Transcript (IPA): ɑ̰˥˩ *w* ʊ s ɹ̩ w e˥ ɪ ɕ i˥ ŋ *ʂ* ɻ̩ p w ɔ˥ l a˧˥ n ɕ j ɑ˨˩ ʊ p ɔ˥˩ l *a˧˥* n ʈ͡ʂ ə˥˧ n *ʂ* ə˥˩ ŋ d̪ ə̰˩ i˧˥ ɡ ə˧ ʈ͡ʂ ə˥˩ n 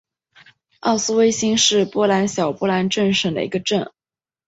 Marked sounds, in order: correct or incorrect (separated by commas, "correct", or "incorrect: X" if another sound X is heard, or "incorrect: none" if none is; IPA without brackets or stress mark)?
incorrect: none, correct, correct, correct